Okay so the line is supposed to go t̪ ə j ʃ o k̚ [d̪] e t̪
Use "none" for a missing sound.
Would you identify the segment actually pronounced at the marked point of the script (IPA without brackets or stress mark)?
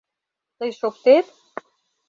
t̪